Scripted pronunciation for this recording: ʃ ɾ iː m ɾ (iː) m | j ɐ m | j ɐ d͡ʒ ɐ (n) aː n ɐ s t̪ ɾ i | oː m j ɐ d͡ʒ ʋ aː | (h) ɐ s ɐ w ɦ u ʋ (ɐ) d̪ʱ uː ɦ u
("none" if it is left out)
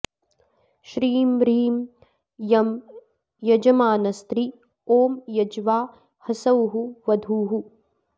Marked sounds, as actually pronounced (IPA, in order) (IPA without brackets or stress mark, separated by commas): iː, m, h, ɐ